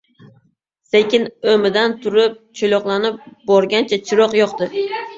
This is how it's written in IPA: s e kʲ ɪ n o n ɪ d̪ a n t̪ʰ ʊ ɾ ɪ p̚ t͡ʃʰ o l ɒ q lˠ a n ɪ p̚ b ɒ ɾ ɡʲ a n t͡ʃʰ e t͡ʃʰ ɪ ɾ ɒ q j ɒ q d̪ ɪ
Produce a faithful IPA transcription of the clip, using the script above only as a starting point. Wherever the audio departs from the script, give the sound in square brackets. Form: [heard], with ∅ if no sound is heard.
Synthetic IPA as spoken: s e kʲ ɪ n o [m] ɪ d̪ a n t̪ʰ ʊ ɾ ɪ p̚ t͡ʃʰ o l ɒ q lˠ a n ɪ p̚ b ɒ ɾ ɡʲ a n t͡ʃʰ [a] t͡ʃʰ ɪ ɾ ɒ q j ɒ q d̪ ɪ

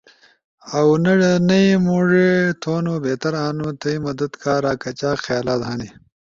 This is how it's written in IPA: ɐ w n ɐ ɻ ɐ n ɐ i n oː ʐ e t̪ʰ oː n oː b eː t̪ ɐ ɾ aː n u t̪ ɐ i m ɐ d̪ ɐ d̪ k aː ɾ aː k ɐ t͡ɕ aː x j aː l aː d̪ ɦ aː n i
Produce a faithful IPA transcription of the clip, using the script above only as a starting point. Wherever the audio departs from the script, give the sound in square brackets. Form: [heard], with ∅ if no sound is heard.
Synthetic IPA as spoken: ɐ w n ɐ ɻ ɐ n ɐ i [m] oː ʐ e t̪ʰ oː n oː b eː t̪ ɐ ɾ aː n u t̪ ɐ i m ɐ d̪ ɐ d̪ k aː ɾ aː k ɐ t͡ɕ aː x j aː l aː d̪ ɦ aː n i

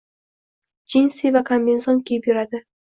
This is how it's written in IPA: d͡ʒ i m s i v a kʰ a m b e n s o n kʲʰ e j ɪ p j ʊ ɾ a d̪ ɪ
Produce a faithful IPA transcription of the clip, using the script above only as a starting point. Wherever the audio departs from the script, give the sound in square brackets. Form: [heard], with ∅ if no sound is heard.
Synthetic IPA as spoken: d͡ʒ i [n] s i v a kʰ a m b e n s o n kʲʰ e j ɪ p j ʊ ɾ a d̪ ɪ

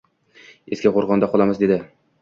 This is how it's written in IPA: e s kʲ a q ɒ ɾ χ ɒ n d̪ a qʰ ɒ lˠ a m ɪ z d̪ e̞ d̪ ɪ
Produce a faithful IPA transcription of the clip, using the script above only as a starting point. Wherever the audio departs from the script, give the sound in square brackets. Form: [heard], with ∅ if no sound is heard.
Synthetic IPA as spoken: e s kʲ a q [o] ɾ [ʁ] ɒ n d̪ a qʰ ɒ lˠ a m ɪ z d̪ e̞ d̪ ɪ

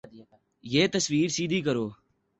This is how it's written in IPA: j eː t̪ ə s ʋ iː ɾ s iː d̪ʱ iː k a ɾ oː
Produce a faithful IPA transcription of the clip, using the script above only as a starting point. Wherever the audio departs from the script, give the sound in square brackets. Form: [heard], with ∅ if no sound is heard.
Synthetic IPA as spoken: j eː t̪ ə s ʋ iː ɾ s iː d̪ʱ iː k [ə] ɾ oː

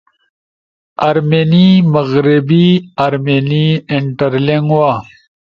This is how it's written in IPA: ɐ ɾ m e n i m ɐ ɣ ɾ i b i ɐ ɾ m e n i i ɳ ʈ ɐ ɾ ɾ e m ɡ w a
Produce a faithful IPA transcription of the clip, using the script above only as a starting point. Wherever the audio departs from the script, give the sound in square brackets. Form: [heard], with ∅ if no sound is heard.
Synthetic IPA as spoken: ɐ ɾ m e n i m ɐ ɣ ɾ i b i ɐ ɾ m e n i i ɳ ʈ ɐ ɾ [l] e [ŋ] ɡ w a

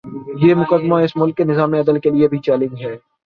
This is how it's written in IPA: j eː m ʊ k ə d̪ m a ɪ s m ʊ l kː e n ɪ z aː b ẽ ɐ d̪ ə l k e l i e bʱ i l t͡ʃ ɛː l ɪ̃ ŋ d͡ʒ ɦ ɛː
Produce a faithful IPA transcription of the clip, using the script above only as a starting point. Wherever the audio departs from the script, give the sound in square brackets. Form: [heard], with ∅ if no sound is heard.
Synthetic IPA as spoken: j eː m ʊ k ə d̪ m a ɪ s m ʊ l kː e n ɪ z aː [m] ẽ ɐ d̪ ə l k e l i e bʱ i [∅] t͡ʃ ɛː l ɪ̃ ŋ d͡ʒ ɦ ɛː

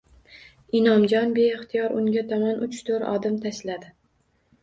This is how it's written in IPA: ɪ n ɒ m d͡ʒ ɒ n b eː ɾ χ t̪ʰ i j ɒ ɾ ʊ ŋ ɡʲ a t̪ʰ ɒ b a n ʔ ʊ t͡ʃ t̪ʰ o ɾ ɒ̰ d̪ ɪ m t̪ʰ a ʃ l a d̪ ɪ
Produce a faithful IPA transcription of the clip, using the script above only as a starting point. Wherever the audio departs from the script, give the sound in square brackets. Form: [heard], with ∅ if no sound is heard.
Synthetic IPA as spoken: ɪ n ɒ m d͡ʒ ɒ n b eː [∅] χ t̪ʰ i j ɒ ɾ ʊ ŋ ɡʲ a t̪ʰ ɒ [m] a n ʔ ʊ t͡ʃ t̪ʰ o ɾ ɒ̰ d̪ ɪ m t̪ʰ a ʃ l a d̪ ɪ

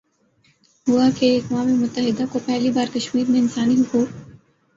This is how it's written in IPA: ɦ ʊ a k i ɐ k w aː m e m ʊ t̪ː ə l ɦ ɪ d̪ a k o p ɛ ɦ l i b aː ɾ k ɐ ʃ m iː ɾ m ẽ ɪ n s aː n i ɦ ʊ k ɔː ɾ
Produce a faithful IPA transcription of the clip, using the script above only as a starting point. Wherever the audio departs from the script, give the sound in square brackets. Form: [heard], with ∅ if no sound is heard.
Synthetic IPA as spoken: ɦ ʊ a k [e] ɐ k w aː m e m ʊ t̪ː ə [∅] ɦ ɪ d̪ a k o p ɛ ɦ l i b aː ɾ k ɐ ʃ m iː ɾ m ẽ ɪ n s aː n i ɦ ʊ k [uː] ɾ

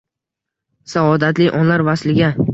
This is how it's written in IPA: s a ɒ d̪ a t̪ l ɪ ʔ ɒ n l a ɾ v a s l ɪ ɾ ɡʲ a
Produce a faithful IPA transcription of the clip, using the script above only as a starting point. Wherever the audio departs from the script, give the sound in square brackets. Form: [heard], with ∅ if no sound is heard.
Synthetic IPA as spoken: s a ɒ d̪ a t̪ l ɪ ʔ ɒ n l a ɾ v a s l ɪ [∅] ɡʲ a

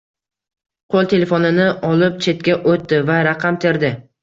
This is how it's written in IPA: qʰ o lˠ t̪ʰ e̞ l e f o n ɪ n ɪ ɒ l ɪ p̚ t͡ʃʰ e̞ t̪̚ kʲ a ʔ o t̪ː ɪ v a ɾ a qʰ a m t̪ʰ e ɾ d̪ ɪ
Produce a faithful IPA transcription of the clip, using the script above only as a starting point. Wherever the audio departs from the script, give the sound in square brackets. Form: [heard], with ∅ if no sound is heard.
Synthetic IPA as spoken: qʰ o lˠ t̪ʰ e̞ l e f o n ɪ n ɪ ɒ l ɪ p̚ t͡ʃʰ e̞ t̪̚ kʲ a ʔ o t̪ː ɪ v a ɾ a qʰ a m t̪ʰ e ɾ d̪ ɪ

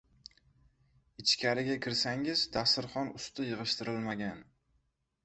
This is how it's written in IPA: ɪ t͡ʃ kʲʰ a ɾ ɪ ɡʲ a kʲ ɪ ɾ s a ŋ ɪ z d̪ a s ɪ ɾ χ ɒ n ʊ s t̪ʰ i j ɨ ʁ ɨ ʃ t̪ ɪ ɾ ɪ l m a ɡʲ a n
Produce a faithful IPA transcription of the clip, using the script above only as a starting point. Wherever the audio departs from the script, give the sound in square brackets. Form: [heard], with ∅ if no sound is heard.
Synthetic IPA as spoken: ɪ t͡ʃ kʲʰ a ɾ ɪ ɡʲ a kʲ ɪ ɾ s a ŋ ɪ z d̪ a s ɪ ɾ χ ɒ n ʊ s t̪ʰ [ɪ] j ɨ ʁ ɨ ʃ t̪ ɪ ɾ ɪ l m a ɡʲ a n

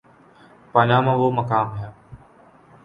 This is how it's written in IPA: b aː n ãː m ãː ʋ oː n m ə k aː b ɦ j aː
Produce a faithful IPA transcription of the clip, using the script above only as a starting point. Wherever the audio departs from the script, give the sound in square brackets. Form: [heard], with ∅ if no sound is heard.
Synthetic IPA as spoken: [p] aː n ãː m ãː ʋ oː [∅] m ə k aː [m] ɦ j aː

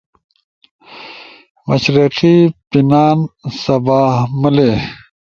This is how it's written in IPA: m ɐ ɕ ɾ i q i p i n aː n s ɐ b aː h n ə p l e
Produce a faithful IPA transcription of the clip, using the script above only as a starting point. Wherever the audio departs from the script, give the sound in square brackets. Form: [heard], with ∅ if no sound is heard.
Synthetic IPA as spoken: m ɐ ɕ ɾ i q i p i n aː n s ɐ b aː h [m] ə [∅] l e

